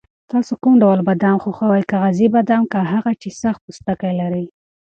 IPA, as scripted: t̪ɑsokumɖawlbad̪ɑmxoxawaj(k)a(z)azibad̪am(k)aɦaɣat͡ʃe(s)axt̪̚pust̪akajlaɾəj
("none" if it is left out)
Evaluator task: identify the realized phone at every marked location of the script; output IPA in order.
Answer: k, ɣ, k, s

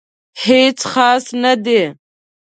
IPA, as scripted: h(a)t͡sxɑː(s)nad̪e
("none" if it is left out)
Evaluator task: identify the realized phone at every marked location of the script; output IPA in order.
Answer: e, s

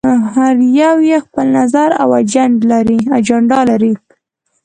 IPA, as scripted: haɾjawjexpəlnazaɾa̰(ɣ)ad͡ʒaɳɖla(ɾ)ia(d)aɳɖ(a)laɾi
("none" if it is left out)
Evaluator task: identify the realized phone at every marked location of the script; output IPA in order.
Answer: w, ɾ, d͡ʒ, ɑ

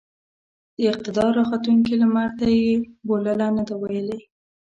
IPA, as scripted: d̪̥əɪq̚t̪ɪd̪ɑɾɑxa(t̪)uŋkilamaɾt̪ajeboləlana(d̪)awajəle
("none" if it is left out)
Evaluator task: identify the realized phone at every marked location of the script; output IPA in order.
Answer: t̪, d̪

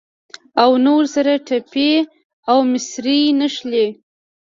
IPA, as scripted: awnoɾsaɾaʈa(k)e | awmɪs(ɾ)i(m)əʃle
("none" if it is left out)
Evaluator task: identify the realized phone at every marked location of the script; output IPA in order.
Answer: p, ɾ, n

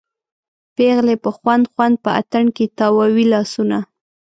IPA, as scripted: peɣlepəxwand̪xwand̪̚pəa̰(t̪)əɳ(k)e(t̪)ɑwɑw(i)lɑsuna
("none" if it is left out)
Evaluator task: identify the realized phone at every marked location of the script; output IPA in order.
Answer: t̪, k, t̪, i

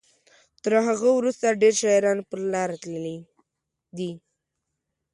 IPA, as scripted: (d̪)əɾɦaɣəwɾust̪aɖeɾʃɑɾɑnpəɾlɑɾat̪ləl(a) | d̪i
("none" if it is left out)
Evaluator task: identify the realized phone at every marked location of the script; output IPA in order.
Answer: t̪, i

